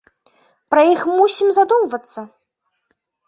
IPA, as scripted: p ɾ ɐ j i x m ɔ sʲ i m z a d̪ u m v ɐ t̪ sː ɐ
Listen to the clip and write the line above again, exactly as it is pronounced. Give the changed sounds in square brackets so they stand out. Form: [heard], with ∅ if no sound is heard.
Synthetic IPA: p ɾ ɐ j i x m [u] sʲ i m z a d̪ u m v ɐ t̪ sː ɐ